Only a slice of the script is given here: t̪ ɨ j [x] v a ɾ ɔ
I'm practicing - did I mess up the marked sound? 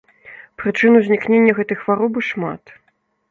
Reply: no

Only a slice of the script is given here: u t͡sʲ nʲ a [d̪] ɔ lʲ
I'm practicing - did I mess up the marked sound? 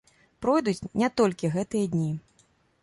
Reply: yes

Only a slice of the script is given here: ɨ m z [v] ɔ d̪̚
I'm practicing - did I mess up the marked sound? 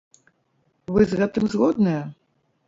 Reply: yes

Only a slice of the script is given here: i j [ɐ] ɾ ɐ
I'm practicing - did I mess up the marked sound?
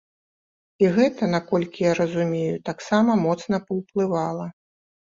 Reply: yes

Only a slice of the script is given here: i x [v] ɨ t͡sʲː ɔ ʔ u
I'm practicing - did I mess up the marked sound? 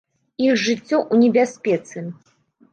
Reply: yes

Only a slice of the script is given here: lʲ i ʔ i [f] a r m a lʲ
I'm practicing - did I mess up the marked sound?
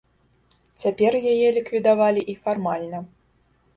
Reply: no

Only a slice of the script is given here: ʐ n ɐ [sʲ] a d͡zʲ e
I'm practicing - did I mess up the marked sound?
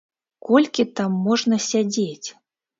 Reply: no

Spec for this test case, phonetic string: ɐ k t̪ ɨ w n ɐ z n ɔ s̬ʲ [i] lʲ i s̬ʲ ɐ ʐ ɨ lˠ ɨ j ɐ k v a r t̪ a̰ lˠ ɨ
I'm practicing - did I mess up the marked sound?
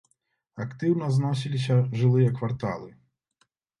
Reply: no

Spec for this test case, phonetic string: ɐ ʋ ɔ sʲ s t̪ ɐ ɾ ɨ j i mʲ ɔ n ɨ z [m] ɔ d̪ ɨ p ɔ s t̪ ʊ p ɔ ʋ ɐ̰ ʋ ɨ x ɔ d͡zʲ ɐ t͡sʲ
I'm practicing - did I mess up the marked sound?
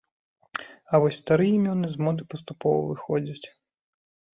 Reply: no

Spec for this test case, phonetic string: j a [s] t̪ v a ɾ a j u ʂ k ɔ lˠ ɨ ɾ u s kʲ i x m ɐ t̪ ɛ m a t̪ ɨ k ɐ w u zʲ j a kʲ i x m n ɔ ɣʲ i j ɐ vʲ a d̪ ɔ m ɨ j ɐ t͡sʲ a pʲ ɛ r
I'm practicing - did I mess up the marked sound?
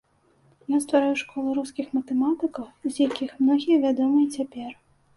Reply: no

